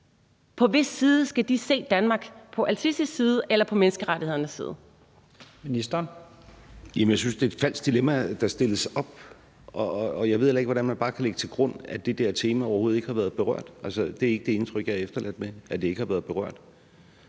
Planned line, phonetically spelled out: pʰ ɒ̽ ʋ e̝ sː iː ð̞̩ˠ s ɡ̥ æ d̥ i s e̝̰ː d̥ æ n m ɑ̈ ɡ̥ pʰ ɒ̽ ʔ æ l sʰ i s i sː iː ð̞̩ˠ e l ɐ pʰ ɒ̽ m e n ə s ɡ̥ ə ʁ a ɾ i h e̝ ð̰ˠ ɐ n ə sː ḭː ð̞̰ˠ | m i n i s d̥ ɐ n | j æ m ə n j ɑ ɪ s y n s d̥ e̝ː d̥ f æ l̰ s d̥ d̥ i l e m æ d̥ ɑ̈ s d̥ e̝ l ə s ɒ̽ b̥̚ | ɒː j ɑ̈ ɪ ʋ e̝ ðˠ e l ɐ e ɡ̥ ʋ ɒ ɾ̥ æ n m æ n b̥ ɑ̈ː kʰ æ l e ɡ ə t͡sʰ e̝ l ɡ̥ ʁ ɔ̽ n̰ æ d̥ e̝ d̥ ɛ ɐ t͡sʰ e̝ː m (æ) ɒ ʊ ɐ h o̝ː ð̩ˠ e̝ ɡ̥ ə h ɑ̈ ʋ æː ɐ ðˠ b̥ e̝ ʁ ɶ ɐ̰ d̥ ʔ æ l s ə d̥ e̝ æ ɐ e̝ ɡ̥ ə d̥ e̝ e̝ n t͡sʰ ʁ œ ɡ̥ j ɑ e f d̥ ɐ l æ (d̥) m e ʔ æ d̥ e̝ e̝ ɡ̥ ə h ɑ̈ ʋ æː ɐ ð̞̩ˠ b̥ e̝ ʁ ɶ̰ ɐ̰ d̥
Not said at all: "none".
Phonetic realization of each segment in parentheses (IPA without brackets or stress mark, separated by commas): æ, d̥